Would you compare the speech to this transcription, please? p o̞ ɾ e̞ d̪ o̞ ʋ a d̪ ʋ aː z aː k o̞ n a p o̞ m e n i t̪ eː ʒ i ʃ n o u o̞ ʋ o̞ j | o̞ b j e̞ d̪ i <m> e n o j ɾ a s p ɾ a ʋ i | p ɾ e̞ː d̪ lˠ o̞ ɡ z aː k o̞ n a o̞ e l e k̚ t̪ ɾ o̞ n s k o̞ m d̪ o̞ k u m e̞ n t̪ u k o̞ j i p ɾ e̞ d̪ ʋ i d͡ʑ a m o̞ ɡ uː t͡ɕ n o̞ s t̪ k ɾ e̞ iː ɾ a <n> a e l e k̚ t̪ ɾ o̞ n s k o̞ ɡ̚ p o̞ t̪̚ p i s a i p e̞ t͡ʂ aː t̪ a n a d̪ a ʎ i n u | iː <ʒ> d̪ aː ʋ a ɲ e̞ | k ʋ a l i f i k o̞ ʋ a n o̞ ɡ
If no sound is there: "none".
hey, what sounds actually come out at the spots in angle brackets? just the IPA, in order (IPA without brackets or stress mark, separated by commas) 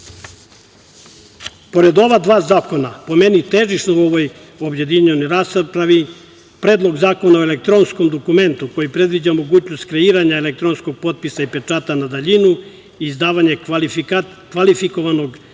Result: ɲ, ɲ, z